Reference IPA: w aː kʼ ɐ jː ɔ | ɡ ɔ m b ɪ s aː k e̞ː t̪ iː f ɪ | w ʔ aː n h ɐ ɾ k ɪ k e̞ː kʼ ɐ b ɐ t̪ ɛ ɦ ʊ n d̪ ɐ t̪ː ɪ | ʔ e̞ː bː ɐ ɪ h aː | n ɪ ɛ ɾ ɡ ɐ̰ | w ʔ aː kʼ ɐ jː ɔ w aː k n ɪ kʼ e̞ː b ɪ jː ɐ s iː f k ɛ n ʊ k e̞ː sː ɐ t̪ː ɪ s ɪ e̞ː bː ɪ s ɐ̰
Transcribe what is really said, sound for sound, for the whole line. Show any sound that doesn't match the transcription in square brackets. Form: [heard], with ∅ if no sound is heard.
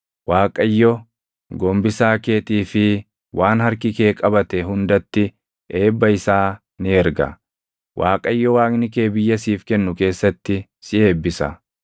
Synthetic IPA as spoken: w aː kʼ ɐ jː ɔ | ɡ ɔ m b ɪ s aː k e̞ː t̪ iː f ɪ | w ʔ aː n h ɐ ɾ k ɪ k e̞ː kʼ ɐ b ɐ t̪ ɛ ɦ ʊ n d̪ ɐ t̪ː ɪ | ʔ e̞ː bː ɐ ɪ [s] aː | n ɪ ɛ ɾ ɡ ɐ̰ | w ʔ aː kʼ ɐ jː ɔ w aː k n ɪ [k] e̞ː b ɪ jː ɐ s iː f k ɛ [nː] ʊ k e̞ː sː ɐ t̪ː ɪ s ɪ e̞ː bː ɪ s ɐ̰